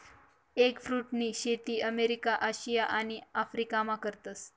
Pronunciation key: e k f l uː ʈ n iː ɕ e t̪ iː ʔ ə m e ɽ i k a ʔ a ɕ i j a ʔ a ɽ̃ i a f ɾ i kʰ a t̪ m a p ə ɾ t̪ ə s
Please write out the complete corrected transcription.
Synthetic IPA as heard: e k f ɾ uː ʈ n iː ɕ e t̪ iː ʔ ə m e ɾ i k a ʔ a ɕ i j a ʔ a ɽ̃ i a f ɾ i k a m a k ə ɾ t̪ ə s